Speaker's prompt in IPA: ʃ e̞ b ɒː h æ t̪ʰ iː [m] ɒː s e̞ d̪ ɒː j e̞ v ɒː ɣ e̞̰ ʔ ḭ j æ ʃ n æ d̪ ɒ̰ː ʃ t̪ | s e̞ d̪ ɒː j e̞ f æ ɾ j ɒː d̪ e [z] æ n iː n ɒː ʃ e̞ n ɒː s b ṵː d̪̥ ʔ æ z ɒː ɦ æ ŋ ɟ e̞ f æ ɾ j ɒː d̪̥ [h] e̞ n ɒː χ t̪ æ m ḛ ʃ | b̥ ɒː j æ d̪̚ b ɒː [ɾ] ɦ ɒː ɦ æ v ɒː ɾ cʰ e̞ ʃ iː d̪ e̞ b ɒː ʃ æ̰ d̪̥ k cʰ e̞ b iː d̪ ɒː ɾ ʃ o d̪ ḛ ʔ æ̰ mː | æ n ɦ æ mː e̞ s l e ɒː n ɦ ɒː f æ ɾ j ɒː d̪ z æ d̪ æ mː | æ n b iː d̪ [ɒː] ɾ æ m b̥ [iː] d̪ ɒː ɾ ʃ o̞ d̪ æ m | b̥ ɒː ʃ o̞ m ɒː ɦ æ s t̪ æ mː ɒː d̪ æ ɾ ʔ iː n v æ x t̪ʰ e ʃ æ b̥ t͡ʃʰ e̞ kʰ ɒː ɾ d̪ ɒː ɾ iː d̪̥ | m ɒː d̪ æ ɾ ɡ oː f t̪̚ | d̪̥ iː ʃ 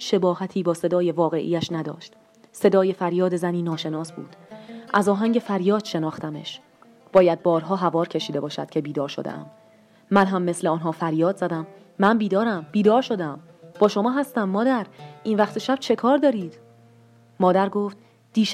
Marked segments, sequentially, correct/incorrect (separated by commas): incorrect, correct, incorrect, correct, correct, correct